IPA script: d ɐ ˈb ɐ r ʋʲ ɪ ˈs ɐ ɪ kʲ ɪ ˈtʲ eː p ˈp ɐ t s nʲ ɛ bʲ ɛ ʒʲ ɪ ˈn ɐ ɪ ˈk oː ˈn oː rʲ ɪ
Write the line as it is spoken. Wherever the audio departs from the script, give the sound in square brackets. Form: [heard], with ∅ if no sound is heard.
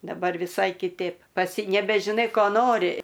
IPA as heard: d ɐ ˈb ɐ r ʋʲ ɪ ˈs ɐ ɪ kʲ ɪ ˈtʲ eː p ˈp ɐ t s nʲ ɛ bʲ ɛ ʒʲ ɪ ˈn ɐ ɪ ˈk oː ˈn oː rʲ ɪ